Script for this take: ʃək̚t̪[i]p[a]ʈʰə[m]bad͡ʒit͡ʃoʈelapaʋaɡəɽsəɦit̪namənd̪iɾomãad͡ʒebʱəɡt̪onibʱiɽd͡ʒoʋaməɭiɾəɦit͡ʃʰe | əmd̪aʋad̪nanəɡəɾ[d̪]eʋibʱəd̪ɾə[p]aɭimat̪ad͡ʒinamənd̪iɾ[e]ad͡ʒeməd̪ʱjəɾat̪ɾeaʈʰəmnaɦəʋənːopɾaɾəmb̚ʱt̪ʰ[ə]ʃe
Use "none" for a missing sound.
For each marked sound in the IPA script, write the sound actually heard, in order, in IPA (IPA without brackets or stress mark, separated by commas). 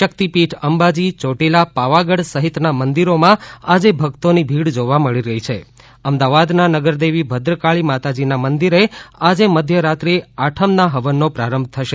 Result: i, i, m, d̪, k, e, ə